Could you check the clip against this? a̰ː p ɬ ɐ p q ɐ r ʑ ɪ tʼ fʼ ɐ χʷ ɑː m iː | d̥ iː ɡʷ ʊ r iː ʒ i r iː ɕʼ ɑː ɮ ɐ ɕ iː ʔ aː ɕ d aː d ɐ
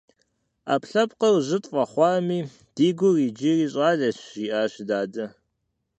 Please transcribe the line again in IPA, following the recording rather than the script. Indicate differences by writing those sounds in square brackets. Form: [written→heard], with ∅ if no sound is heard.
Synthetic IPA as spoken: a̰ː p ɬ ɐ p q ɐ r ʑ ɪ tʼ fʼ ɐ χʷ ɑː m iː | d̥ iː ɡʷ ʊ r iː [ʒ→d͡ʒ] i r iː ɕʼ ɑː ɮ ɐ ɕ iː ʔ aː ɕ d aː d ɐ